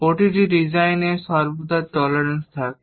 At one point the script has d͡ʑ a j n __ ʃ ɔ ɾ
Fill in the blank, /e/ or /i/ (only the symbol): e